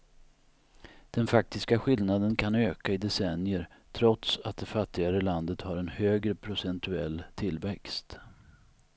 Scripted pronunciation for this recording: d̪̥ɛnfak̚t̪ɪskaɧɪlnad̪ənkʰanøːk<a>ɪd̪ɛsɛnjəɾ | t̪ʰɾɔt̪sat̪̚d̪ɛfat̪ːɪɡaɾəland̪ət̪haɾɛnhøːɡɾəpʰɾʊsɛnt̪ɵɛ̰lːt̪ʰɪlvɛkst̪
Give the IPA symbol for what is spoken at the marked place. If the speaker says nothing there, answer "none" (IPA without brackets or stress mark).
a